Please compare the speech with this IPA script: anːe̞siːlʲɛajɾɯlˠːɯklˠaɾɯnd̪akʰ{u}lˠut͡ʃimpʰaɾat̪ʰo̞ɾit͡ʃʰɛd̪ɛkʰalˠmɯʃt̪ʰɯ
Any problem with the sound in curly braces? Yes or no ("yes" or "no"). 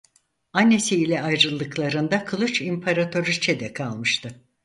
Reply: yes